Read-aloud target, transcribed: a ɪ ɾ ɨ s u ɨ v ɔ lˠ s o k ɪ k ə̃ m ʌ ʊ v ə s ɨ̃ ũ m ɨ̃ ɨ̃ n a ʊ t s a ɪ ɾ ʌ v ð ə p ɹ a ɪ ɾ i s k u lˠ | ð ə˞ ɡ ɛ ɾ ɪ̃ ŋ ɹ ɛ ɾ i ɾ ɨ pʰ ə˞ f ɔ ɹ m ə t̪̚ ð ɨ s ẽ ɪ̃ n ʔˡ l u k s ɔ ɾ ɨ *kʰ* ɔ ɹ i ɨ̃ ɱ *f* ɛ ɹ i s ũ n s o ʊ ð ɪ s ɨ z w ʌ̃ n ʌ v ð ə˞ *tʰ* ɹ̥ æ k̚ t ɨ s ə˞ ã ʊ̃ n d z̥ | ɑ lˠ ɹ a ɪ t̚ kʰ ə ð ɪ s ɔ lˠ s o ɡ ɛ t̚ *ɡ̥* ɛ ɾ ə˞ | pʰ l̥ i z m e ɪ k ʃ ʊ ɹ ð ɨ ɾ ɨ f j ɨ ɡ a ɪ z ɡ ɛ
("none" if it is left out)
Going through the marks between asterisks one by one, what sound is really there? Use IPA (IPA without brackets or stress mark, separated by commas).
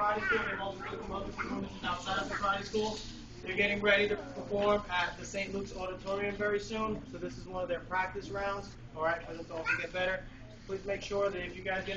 tʰ, v, pʰ, b̥